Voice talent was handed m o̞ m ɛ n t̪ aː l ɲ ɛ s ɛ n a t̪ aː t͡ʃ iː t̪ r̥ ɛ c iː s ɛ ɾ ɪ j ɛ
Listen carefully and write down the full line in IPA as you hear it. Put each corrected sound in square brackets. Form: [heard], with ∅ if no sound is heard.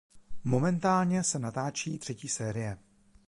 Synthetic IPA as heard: m o̞ m ɛ n t̪ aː l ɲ ɛ s ɛ n a t̪ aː t͡ʃ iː t̪ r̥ ɛ c iː s [ɛː] ɾ ɪ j ɛ